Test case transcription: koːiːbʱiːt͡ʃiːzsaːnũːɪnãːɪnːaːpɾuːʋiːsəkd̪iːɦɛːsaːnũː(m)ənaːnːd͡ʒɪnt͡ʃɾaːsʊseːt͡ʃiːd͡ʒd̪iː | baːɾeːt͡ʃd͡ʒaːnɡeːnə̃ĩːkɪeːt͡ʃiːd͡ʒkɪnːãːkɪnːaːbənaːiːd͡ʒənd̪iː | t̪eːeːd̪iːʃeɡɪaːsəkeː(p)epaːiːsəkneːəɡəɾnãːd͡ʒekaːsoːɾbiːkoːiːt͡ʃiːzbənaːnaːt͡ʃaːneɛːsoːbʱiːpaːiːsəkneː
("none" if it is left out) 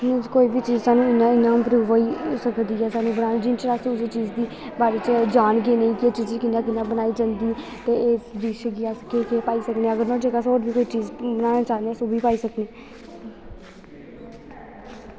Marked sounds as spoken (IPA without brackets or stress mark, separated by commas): b, k